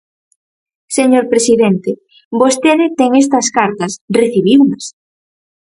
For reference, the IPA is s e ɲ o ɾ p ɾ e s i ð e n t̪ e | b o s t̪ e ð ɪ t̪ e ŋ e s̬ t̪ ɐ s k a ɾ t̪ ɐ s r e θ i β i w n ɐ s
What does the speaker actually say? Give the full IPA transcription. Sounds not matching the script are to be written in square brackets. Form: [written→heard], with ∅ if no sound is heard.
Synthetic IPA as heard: s e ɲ o ɾ p ɾ e s i ð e n t̪ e | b o s t̪ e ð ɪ t̪ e ŋ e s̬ t̪ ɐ s k a ɾ t̪ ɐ s r e θ i β i w n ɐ s